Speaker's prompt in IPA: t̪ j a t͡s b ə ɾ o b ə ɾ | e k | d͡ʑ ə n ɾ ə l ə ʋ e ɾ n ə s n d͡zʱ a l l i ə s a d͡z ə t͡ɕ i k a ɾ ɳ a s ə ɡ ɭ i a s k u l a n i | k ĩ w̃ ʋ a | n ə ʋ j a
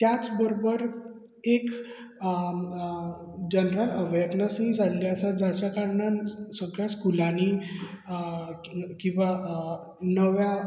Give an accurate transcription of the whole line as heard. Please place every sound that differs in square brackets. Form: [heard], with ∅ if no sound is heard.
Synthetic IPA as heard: t̪ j a t͡s b ə ɾ o b ə ɾ | e k | d͡ʑ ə n ɾ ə l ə ʋ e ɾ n ə s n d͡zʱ a l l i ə s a d͡z [a] t͡ɕ [a] k a ɾ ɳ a s ə ɡ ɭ [j] a s k u l a n i | k ĩ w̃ ʋ a | n ə ʋ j a